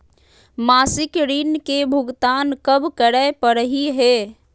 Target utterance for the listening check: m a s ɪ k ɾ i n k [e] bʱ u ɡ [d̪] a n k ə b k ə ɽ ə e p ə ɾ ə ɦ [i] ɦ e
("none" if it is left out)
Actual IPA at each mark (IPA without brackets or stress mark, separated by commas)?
e, t̪, i